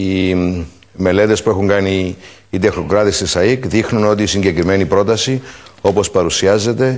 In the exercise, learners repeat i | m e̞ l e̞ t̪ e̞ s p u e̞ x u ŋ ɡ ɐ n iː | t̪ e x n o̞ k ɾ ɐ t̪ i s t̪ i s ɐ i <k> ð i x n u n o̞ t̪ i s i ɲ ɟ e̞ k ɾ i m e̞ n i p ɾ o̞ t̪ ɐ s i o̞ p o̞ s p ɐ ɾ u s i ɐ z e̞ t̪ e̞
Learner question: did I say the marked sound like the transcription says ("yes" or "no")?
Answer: yes